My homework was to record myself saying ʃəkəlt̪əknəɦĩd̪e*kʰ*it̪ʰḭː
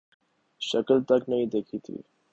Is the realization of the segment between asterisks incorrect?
no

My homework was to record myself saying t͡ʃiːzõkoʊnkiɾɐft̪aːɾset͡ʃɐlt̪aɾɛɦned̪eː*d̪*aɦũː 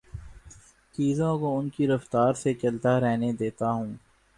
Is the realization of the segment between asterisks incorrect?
yes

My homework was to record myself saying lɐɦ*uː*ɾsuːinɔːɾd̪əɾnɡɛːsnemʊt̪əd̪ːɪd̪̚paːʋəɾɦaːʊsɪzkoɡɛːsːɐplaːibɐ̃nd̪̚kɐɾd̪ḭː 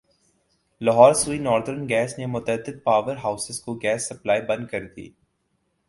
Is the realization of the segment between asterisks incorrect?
yes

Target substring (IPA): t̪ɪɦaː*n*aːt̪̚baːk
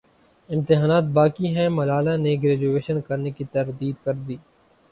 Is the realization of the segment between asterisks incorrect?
no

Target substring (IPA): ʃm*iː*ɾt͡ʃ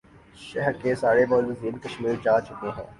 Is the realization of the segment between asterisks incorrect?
no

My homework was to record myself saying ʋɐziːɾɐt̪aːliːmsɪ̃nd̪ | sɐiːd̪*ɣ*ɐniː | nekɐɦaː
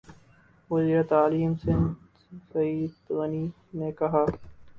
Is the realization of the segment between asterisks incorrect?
no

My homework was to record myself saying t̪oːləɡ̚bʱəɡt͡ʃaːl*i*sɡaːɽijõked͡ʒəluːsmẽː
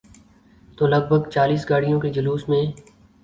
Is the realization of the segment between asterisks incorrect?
yes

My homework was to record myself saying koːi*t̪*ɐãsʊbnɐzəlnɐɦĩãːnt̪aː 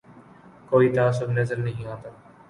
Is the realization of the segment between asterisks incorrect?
no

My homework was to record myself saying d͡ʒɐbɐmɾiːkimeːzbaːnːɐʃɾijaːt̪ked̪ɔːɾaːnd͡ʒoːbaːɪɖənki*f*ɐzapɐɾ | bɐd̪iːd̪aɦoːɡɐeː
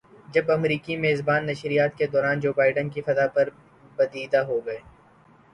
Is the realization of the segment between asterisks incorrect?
no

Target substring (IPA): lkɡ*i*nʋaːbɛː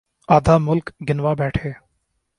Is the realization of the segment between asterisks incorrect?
yes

